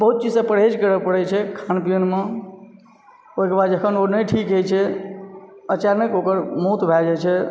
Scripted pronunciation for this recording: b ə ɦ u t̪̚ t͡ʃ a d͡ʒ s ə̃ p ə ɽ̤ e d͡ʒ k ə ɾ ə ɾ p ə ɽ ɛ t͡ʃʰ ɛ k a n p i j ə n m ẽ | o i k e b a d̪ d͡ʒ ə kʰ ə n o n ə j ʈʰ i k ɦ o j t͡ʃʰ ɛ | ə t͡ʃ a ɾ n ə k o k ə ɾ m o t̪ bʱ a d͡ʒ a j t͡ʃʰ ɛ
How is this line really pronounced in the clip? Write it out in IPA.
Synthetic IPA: b ə ɦ u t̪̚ t͡ʃ i d͡ʒ s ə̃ p ə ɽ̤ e d͡ʒ k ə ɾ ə p ə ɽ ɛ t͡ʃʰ ɛ kʰ a n p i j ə n m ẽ | o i k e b a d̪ d͡ʒ ə kʰ ə n o n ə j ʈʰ i k ɦ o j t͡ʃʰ ɛ | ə t͡ʃ a ɾ n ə k o k ə ɾ m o t̪ bʱ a d͡ʒ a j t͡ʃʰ ɛ